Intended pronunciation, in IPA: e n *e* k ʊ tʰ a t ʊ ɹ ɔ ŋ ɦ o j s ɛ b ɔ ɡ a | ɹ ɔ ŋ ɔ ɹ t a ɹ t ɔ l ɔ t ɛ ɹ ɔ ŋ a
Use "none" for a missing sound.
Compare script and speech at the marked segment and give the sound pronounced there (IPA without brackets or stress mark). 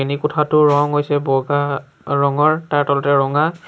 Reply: i